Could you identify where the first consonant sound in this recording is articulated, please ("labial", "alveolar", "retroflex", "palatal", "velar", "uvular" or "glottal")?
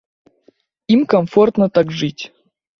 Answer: labial